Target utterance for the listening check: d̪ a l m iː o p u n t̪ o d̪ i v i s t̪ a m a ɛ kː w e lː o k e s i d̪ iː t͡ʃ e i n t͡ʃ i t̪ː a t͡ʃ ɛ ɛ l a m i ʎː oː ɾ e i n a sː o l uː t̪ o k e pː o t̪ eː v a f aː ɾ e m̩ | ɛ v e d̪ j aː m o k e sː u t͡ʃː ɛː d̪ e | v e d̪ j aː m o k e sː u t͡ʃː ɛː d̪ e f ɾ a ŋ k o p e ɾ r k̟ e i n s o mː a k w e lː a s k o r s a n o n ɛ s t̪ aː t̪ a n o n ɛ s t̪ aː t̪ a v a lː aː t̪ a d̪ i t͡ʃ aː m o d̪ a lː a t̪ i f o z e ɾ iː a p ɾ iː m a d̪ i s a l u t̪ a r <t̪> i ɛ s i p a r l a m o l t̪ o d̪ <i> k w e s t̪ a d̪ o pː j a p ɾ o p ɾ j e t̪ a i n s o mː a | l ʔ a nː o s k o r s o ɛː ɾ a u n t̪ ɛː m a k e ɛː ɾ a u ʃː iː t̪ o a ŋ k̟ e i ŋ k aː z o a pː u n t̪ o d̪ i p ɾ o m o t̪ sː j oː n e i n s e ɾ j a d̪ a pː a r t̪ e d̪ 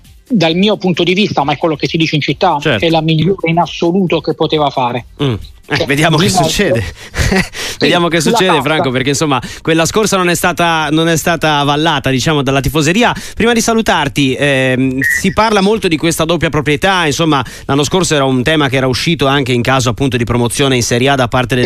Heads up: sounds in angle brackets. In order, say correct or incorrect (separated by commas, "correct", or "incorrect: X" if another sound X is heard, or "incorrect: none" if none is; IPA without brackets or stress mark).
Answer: correct, correct